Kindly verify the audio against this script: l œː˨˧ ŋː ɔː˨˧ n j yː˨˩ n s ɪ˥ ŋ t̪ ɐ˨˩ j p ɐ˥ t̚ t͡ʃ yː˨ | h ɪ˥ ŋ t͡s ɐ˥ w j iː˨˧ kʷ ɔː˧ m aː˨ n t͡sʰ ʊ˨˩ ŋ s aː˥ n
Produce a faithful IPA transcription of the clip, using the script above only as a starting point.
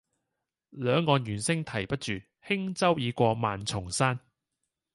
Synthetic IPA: l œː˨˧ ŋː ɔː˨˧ n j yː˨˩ n s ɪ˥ ŋ t̪ʰ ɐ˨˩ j p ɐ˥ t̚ t͡ʃ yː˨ | h ɪ˥ ŋ t͡s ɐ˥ w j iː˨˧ kʷ ɔː˧ m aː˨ n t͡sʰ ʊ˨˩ ŋ s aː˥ n